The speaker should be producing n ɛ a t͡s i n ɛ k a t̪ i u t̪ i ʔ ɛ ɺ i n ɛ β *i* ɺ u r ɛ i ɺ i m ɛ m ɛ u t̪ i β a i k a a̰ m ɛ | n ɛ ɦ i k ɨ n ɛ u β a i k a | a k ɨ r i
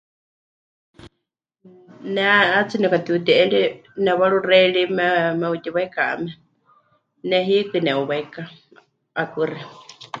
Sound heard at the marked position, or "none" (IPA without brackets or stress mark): a